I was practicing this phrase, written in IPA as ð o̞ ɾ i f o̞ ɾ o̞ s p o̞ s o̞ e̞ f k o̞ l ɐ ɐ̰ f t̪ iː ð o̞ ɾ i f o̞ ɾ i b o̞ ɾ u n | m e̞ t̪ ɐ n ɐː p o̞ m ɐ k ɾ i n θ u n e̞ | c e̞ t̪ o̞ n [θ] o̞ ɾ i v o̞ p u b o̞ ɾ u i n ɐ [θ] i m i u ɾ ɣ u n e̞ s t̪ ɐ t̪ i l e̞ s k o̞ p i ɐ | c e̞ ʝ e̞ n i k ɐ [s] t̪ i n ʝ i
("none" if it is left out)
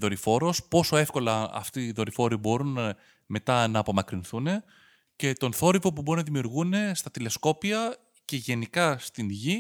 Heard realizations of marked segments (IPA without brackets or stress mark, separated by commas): θ, ð, s